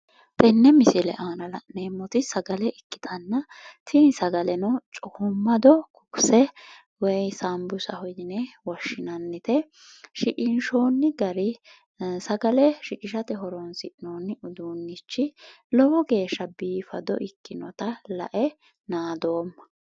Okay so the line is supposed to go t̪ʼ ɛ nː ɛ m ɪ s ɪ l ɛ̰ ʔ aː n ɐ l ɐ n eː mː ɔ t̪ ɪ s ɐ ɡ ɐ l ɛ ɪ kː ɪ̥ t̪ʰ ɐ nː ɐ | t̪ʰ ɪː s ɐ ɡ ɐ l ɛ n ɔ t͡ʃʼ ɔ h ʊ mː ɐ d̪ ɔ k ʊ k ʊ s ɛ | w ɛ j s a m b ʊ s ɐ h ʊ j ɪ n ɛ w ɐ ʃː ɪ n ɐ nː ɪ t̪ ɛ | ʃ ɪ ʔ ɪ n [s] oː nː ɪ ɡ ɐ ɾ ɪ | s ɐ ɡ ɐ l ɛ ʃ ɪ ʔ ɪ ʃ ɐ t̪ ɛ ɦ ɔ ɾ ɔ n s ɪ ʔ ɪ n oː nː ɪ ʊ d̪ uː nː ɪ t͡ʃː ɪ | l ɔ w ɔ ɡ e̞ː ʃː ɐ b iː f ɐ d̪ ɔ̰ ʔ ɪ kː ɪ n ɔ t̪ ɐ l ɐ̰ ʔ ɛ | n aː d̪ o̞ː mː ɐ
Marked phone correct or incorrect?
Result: incorrect